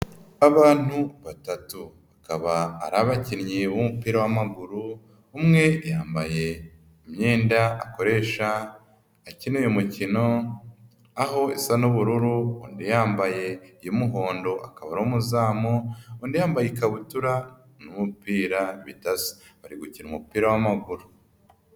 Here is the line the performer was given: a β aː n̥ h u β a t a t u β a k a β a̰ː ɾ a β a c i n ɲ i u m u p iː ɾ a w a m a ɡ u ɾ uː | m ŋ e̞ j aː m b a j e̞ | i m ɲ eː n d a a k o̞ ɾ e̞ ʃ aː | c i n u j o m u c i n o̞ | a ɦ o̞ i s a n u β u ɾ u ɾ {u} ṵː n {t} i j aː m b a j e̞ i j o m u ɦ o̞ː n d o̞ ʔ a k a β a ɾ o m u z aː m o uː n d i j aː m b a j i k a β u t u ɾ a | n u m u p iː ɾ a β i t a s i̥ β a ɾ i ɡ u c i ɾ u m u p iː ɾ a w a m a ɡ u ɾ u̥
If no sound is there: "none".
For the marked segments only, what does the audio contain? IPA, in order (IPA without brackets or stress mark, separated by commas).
u, d